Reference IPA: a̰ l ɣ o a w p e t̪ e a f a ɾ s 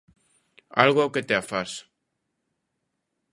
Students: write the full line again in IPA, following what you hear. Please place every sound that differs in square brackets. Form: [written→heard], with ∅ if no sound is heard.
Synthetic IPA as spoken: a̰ l ɣ o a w [p→k] e t̪ e a f a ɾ s